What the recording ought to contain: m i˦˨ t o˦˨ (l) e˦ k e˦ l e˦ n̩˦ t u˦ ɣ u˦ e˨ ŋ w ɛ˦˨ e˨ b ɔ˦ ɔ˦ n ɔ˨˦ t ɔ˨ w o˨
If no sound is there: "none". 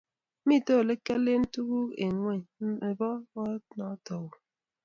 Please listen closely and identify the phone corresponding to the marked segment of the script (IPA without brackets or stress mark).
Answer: l